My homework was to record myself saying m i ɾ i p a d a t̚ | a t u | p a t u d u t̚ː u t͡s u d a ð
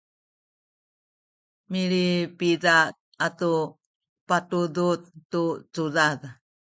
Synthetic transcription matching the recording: m i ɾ i p i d a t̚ | a t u | p a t u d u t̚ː u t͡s u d a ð